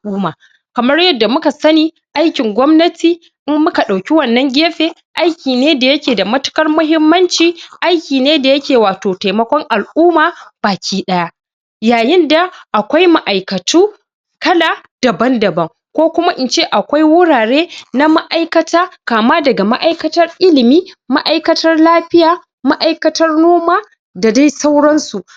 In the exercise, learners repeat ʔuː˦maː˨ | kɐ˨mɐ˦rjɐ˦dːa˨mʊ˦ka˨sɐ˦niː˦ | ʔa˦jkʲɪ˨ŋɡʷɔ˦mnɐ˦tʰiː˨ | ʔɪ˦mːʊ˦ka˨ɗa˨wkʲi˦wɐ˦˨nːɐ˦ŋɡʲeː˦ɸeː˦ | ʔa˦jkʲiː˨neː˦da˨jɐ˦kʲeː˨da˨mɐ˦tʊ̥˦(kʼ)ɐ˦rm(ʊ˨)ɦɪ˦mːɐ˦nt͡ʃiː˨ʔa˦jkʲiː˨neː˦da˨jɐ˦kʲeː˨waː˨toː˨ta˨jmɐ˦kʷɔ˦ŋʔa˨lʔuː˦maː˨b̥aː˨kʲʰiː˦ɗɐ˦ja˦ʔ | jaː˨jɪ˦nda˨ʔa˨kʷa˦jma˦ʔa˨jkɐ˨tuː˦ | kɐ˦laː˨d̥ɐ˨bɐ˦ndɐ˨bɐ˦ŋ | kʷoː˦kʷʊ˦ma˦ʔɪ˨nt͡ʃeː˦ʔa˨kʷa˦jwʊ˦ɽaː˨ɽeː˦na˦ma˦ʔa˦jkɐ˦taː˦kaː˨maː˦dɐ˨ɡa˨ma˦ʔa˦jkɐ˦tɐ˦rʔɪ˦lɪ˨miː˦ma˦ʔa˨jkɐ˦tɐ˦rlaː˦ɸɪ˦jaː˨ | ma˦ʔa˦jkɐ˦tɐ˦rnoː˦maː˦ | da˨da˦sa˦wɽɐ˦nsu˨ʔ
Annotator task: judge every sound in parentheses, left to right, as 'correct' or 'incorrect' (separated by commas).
incorrect, incorrect